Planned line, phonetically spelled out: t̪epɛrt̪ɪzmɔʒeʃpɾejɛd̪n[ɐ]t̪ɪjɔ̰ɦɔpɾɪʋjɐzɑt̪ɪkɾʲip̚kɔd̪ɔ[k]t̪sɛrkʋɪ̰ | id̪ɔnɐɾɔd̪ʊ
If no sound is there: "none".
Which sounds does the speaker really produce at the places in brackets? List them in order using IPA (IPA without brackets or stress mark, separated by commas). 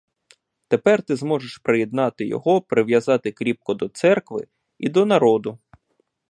ɑ, none